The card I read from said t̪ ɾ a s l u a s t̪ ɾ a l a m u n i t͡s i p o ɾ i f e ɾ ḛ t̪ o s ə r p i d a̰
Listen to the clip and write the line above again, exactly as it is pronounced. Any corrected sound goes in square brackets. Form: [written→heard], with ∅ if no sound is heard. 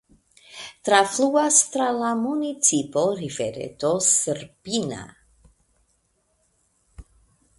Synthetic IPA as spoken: t̪ ɾ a [s→f] l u a s t̪ ɾ a l a m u n i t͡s i p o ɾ i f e ɾ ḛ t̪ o s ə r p i [d→n] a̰